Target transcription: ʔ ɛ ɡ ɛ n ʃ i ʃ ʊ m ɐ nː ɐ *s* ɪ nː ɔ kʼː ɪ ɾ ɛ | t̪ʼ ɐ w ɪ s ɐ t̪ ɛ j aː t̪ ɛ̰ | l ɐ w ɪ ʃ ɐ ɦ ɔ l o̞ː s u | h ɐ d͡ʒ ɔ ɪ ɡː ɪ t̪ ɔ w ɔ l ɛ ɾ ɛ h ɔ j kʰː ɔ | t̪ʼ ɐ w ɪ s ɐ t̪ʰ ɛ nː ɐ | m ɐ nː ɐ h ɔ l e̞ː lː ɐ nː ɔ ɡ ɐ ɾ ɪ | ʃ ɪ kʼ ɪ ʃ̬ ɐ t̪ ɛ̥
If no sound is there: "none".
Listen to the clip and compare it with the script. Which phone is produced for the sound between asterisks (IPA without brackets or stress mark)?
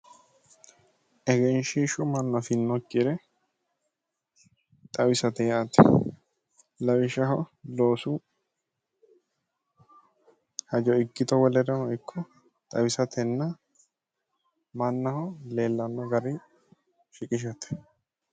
f